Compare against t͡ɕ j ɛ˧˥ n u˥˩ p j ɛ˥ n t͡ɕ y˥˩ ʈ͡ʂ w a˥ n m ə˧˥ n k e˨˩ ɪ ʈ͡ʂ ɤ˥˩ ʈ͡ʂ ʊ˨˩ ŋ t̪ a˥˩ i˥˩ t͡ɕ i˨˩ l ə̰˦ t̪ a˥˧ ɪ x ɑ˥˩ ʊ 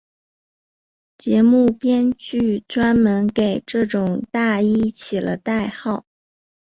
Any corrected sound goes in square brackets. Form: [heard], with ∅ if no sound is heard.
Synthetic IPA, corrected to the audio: t͡ɕ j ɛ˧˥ [m] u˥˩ p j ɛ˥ n t͡ɕ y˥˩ ʈ͡ʂ w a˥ n m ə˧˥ n k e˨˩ ɪ ʈ͡ʂ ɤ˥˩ ʈ͡ʂ ʊ˨˩ ŋ t̪ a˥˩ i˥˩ [t͡ɕʰ] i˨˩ l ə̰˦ t̪ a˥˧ ɪ x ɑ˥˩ ʊ